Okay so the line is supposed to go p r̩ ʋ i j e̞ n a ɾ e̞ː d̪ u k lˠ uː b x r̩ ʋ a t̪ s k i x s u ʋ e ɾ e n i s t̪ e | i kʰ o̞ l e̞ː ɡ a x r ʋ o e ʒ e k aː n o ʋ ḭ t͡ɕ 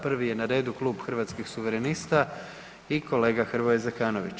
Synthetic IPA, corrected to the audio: p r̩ ʋ i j e̞ n a ɾ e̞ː d̪ u k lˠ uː b x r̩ ʋ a t̪ s k i x s u ʋ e ɾ e n i s t̪ a | i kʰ o̞ l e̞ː ɡ a x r ʋ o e z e k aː n o ʋ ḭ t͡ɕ